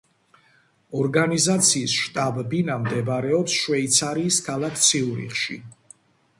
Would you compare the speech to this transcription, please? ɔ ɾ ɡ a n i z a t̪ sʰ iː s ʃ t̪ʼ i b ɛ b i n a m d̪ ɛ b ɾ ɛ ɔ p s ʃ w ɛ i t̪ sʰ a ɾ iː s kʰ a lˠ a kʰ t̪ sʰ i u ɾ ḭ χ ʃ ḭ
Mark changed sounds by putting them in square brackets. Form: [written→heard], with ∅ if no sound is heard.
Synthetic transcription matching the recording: ɔ ɾ ɡ a n i z a t̪ sʰ iː s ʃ t̪ʼ [i→a] b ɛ b i n a m d̪ ɛ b ɾ ɛ ɔ p s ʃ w ɛ i t̪ sʰ a ɾ iː s kʰ a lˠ a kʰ t̪ sʰ i u ɾ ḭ χ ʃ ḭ